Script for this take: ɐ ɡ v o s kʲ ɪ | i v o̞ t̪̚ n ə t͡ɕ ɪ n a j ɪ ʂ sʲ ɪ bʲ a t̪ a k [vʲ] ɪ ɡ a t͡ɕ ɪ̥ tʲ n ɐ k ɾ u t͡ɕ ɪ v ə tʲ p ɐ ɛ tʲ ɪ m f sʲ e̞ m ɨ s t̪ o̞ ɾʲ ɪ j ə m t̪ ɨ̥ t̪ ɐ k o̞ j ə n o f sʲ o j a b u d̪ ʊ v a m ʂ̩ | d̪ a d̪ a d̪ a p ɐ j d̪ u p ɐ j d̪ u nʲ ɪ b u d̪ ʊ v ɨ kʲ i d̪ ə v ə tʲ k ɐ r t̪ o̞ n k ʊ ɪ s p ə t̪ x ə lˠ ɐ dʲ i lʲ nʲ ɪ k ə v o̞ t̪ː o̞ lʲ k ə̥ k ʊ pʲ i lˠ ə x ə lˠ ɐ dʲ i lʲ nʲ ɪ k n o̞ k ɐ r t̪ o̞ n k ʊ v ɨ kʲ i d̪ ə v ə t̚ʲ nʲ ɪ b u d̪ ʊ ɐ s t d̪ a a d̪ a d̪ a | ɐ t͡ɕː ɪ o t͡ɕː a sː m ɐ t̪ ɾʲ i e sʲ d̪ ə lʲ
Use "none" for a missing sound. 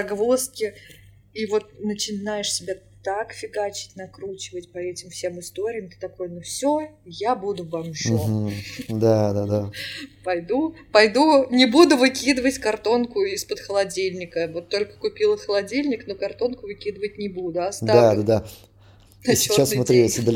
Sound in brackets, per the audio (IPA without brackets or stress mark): fʲ